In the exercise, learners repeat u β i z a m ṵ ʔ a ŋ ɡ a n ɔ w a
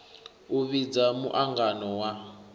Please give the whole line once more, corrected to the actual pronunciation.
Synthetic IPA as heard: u β i d͡z a m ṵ ʔ a ŋ ɡ a n ɔ w a